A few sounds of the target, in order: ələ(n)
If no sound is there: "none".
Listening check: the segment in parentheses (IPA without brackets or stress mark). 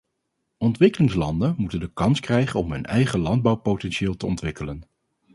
n